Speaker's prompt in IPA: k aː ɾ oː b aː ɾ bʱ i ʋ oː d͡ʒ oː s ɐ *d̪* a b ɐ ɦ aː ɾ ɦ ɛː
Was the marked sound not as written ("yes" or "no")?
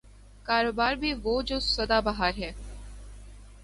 no